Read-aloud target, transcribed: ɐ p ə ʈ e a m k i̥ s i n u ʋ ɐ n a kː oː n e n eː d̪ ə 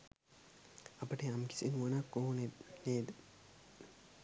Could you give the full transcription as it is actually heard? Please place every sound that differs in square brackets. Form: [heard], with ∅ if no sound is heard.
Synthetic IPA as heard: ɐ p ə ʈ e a m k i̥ s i n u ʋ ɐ n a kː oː n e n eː d̪ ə

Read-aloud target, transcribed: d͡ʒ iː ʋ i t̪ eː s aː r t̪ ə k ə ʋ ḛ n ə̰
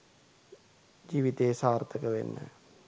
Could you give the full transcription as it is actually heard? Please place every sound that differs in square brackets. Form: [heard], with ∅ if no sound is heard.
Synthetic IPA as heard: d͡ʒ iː ʋ i t̪ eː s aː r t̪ ə k ə ʋ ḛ [nː] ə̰

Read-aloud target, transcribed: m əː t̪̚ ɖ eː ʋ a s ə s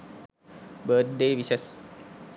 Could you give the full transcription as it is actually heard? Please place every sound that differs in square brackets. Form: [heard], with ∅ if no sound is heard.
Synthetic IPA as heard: [b] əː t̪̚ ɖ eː ʋ [i] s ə s

